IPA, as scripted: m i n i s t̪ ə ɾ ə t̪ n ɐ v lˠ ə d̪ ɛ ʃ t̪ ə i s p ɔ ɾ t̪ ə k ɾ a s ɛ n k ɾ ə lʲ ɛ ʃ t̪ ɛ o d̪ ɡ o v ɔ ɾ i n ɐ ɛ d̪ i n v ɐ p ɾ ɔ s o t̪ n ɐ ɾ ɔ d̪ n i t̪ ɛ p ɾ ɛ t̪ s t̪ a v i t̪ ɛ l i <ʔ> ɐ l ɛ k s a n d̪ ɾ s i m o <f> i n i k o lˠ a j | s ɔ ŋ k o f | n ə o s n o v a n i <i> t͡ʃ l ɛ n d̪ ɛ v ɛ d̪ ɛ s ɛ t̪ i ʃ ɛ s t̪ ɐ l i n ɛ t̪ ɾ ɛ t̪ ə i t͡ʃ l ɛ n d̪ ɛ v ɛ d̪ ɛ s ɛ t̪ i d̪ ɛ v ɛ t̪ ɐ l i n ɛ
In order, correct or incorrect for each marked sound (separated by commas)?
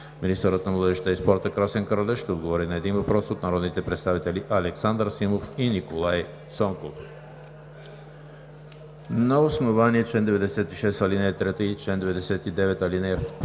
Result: correct, correct, incorrect